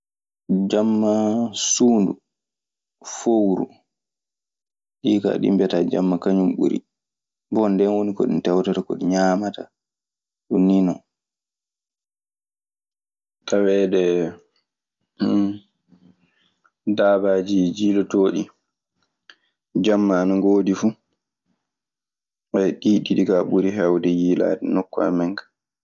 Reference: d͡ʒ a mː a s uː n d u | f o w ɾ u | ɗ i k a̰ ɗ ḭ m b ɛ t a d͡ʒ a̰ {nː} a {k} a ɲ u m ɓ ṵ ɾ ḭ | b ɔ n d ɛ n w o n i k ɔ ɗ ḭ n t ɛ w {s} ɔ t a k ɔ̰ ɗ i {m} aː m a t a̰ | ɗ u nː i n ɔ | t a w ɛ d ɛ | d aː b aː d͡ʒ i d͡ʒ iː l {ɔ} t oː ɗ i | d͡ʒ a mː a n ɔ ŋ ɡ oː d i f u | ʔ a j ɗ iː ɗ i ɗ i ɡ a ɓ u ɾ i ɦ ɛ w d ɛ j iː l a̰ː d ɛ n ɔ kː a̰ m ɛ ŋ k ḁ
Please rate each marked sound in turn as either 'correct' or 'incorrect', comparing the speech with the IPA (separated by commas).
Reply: incorrect, correct, incorrect, incorrect, correct